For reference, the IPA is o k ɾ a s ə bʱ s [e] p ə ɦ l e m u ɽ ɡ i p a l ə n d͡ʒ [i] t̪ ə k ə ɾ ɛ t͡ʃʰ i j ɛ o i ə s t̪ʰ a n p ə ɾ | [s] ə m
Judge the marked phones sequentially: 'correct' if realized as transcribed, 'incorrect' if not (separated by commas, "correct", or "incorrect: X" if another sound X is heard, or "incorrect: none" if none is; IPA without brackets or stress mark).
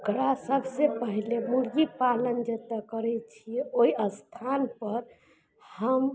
correct, incorrect: e, incorrect: h